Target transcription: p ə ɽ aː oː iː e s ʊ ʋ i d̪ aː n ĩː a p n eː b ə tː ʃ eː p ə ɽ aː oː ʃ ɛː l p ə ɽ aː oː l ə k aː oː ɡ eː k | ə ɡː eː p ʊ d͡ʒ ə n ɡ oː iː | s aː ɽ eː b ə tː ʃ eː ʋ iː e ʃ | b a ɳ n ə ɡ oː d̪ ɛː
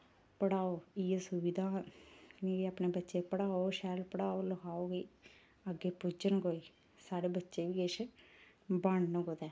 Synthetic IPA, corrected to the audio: p ə ɽ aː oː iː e s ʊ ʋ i d̪ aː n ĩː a p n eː b ə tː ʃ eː p ə ɽ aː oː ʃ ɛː l p ə ɽ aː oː l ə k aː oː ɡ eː | ə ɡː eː p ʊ d͡ʒ ə n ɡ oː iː | s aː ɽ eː b ə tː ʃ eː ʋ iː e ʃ | b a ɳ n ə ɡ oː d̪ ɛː

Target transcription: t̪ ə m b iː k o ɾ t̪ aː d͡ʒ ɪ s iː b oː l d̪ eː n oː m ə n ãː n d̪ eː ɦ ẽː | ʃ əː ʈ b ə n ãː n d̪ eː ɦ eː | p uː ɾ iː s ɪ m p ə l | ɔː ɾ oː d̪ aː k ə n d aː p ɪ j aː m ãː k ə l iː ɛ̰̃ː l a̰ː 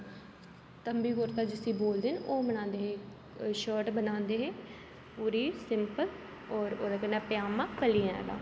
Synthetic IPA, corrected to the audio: t̪ ə m b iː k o ɾ t̪ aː d͡ʒ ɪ s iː b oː l d̪ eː n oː m ə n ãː n d̪ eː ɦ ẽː | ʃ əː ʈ b ə n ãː n d̪ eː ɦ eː | p uː ɾ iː s ɪ m p ə l | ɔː ɾ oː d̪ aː k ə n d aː p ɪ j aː m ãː k ə l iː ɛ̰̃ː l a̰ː

